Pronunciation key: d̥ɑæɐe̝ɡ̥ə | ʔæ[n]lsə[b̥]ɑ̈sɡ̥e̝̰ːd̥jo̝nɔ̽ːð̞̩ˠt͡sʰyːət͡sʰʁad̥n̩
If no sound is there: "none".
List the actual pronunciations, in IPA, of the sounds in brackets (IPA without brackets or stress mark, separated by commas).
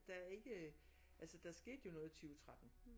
none, d̥